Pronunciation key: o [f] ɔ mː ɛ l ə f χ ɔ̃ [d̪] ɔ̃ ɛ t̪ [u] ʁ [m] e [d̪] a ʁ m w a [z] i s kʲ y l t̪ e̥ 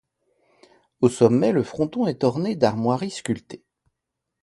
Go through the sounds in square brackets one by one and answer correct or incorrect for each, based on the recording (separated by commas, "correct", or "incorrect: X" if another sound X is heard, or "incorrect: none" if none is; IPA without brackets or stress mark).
incorrect: s, incorrect: t̪, incorrect: ɔ, incorrect: n, correct, incorrect: ʁ